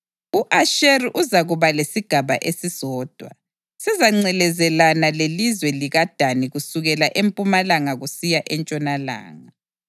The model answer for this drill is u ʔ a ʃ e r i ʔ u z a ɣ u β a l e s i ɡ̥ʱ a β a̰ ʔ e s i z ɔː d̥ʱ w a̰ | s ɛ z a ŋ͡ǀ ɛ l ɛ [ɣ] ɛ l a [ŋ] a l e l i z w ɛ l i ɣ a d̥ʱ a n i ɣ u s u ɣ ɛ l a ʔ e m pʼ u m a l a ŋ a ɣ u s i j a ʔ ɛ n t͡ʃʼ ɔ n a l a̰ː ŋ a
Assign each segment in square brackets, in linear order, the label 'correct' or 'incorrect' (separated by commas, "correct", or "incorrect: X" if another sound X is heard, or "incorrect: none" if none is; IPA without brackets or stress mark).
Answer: incorrect: z, incorrect: n